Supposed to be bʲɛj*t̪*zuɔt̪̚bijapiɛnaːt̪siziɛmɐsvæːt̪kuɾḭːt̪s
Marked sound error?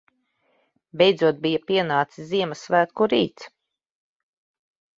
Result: yes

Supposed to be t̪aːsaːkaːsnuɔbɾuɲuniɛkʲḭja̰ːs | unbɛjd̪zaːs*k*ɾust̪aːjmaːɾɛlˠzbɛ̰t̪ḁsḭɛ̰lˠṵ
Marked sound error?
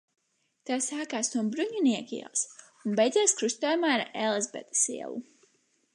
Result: no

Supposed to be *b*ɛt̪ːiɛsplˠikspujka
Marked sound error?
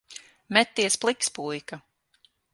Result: yes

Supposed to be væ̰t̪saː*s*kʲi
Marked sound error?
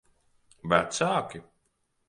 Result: yes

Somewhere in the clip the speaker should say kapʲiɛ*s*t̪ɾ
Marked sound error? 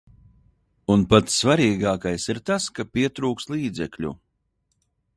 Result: yes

